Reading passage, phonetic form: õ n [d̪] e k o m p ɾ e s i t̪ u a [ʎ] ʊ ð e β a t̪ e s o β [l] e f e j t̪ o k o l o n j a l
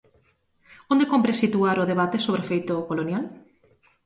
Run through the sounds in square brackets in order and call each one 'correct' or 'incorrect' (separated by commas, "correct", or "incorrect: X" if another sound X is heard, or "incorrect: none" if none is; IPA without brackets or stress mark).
correct, incorrect: ɾ, incorrect: ɾ